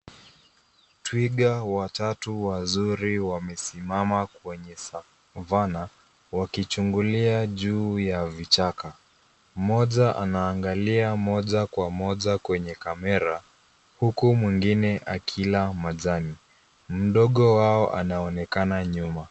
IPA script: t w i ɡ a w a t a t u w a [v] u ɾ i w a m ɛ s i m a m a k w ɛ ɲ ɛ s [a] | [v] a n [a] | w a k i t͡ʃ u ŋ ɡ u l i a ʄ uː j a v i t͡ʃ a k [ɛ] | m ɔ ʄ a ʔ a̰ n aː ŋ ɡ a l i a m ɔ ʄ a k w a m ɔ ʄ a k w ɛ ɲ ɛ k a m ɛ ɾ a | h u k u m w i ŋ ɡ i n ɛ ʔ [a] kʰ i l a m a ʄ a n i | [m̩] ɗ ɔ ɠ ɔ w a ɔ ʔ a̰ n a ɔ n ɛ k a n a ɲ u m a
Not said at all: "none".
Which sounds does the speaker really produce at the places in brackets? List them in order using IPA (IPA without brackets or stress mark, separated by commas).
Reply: z, a, v, a, a, a, m̩